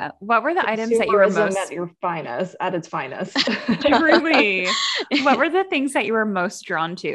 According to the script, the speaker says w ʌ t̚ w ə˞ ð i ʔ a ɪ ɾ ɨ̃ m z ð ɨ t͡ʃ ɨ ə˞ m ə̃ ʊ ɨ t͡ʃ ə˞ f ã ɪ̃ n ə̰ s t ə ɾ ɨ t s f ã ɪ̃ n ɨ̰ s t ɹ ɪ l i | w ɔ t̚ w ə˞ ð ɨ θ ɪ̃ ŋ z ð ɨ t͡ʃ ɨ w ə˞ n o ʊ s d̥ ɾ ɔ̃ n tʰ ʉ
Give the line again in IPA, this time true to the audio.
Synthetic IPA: w ʌ t̚ w ə˞ ð i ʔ a ɪ ɾ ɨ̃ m z ð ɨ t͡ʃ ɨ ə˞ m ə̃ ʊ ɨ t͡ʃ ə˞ f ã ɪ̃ n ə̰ s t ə ɾ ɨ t s f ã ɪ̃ n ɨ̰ s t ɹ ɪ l i | w ʌ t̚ w ə˞ ð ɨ θ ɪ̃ ŋ z ð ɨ t͡ʃ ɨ w ə˞ m o ʊ s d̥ ɹ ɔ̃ n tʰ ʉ